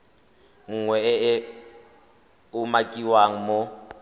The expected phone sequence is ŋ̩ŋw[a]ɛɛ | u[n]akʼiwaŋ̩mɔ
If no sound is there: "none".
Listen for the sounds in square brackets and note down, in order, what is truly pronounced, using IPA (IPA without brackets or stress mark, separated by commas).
ɛ, m